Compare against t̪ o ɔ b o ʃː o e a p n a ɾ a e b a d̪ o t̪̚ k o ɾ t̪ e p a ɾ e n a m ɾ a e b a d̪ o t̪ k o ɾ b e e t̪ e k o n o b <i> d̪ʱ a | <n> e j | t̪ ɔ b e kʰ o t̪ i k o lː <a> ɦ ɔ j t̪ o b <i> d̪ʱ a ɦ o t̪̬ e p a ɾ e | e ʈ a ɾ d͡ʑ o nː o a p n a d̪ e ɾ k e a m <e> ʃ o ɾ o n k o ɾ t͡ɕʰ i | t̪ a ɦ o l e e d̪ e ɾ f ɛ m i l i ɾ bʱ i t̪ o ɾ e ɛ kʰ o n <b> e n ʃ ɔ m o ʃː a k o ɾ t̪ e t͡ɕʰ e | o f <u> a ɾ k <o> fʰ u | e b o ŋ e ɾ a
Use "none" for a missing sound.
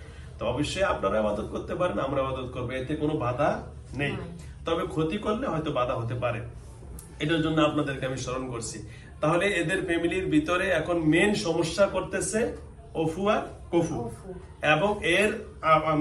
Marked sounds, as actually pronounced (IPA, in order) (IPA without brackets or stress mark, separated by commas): a, n, e, a, i, m, u, o